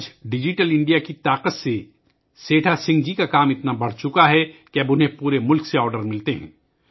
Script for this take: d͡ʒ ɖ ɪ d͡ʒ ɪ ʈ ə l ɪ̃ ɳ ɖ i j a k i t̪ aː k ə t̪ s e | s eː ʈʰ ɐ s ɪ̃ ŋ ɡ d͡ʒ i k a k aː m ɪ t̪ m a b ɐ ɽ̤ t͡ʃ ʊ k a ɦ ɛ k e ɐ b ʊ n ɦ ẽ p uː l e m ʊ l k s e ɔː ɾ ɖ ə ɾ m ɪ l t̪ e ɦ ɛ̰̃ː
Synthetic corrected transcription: d͡ʒ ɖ ɪ d͡ʒ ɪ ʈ ə l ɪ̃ ɳ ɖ i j a k i t̪ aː q ə t̪ s e | s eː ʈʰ a s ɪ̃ ŋ ɡ d͡ʒ i k a k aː m ɪ t̪ n a b ɐ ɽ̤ t͡ʃ ʊ k a ɦ ɛ k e ɐ b ʊ n ɦ ẽ p uː ɾ e m ʊ l k s e ɔː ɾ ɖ ə ɾ m ɪ l t̪ e ɦ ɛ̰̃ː